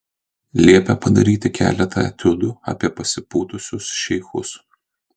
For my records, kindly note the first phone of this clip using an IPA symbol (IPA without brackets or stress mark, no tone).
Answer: lʲ